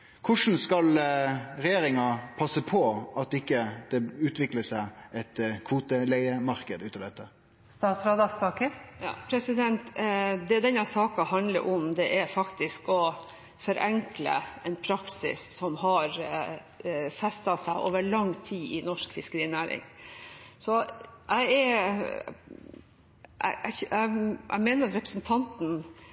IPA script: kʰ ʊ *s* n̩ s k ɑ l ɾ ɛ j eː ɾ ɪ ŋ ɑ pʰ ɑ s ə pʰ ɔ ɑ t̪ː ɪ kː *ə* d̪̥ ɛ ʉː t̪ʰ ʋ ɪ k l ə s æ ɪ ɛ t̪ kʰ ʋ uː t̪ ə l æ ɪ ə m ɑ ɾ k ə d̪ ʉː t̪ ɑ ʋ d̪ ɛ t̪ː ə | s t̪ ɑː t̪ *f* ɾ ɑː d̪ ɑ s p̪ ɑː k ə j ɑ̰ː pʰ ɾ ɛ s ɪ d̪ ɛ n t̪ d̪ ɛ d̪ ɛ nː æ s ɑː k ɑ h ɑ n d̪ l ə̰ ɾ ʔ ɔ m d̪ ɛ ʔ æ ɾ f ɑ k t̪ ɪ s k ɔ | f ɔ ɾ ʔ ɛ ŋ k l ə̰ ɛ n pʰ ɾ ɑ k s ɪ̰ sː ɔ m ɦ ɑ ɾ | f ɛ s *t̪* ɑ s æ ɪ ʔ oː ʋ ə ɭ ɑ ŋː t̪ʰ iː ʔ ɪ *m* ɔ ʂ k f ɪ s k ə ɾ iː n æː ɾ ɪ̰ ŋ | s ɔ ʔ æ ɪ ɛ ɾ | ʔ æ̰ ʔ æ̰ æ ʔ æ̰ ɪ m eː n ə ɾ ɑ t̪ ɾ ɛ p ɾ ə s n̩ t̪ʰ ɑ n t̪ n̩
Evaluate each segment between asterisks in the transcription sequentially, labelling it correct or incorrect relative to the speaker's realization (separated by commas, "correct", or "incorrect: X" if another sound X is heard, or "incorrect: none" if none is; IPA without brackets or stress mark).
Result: incorrect: ʂ, correct, incorrect: s, correct, incorrect: n